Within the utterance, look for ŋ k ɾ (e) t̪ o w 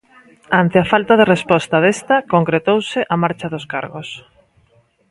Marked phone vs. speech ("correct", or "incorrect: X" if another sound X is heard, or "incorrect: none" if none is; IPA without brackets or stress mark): correct